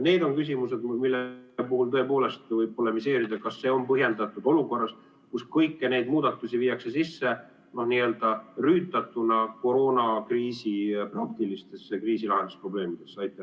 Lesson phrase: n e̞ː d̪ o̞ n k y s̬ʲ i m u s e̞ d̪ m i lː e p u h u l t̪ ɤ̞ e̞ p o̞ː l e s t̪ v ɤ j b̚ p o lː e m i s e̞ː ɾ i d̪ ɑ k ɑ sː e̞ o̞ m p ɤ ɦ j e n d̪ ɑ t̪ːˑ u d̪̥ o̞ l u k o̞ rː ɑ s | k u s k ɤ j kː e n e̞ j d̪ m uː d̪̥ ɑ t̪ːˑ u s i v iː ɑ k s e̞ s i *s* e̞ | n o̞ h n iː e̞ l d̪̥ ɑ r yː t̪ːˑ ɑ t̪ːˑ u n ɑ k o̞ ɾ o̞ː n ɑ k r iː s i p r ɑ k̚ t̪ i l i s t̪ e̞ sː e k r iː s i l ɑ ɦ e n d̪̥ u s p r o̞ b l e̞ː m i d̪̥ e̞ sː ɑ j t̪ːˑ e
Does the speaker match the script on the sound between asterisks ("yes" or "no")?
no